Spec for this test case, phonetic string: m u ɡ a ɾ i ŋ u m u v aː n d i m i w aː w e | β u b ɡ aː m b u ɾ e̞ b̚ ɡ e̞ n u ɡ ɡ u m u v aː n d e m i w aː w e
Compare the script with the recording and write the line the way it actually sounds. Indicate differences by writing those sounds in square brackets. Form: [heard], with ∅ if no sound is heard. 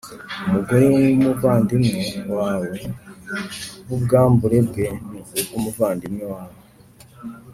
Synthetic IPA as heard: m u ɡ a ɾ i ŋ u m u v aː n d i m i w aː w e | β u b ɡ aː m b u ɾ e̞ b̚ ɡ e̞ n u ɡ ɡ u m u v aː n d [i] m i w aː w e